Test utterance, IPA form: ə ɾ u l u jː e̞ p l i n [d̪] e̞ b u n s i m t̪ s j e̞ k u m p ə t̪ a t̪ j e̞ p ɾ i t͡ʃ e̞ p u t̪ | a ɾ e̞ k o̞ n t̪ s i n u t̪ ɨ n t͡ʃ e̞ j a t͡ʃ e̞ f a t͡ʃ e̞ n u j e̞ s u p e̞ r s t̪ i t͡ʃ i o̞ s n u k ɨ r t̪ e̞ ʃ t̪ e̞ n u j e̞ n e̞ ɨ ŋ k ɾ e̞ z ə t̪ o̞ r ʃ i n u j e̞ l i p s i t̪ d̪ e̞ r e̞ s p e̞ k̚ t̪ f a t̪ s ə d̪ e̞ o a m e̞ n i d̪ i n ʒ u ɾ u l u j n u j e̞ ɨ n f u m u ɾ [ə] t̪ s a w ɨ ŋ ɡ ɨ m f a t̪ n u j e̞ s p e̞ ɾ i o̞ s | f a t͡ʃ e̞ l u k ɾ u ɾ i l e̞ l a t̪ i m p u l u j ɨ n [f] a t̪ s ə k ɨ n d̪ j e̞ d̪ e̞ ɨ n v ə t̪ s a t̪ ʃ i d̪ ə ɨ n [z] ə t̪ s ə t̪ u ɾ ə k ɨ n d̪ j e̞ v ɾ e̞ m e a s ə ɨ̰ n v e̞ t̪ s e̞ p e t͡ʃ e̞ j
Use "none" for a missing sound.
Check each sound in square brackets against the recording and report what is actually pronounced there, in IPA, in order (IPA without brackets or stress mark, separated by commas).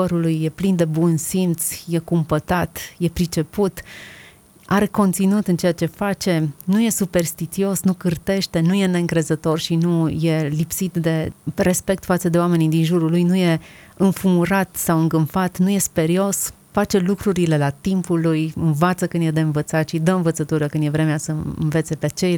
d̪, a, v, v